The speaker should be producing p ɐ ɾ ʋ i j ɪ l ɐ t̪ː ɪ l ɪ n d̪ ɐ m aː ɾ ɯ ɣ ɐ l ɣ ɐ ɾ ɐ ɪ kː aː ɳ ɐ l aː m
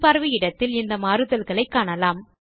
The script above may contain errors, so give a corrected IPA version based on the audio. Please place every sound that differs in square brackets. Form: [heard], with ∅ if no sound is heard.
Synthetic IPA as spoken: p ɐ ɾ ʋ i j ɪ [ɽ] ɐ t̪ː ɪ l ɪ n d̪ ɐ m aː ɾ ɯ [ð] ɐ l ɣ ɐ [ɭ] ɐ ɪ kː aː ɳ ɐ l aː m